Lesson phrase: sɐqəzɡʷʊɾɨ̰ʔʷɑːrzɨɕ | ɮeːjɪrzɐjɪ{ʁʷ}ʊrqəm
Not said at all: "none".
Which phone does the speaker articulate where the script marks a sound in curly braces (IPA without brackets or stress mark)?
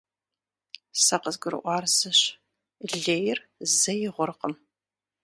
ʁʷ